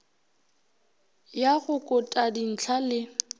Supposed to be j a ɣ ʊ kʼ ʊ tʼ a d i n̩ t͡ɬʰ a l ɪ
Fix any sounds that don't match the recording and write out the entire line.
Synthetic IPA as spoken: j a ɣ ʊ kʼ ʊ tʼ a d i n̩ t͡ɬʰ a l ɪ